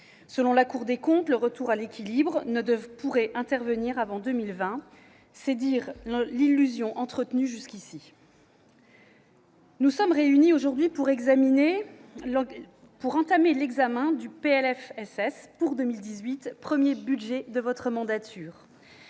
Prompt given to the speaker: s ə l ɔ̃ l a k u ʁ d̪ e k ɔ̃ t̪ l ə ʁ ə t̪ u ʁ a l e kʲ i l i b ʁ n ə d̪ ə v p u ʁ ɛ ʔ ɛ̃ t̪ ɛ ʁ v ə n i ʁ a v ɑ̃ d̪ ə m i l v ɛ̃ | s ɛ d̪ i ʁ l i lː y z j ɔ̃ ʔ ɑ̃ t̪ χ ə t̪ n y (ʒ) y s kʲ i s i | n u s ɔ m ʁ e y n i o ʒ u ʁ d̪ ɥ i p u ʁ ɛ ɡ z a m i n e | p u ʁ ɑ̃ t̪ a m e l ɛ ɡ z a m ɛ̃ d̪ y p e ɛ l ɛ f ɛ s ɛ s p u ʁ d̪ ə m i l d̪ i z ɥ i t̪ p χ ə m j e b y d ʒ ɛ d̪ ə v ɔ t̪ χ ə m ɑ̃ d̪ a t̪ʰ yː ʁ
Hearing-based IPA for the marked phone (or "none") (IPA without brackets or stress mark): ʒ